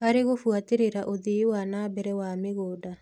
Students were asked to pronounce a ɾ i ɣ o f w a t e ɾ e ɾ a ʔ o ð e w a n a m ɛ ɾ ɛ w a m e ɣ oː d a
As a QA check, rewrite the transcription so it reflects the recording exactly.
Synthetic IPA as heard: a ɾ e ɣ o f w a t e ɾ e ɾ a ʔ o ð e w a n a b ɛ ɾ ɛ w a m e ɣ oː d a